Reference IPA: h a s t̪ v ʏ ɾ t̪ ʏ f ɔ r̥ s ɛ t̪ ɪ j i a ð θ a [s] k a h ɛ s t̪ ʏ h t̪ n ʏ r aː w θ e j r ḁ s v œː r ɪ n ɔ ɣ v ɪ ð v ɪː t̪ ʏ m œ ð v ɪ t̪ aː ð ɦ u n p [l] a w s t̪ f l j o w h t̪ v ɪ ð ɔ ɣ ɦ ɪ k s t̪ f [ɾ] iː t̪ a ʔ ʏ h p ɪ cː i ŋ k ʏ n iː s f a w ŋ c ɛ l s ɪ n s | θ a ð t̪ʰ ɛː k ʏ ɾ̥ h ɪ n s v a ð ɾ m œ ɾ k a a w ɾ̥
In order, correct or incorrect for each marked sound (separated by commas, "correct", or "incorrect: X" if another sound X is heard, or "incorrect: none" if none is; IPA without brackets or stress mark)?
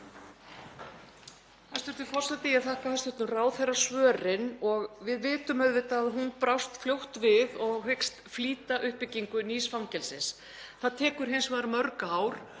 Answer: incorrect: h, incorrect: ɾ, incorrect: l